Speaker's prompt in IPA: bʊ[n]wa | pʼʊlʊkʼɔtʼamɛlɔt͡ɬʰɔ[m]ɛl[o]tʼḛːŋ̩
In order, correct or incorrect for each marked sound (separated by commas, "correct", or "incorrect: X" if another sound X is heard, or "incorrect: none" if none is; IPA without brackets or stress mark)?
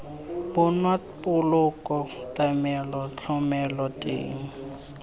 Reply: correct, correct, incorrect: ɔ